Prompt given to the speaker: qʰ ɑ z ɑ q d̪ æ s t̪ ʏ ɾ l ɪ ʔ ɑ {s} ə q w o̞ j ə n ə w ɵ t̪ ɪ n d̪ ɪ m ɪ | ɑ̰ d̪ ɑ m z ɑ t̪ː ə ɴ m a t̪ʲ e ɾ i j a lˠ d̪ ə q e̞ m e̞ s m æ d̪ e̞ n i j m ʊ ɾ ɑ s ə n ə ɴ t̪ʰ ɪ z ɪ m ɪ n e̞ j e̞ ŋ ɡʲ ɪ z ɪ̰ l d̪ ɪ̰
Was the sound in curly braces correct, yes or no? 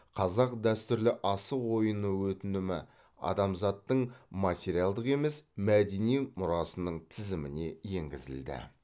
yes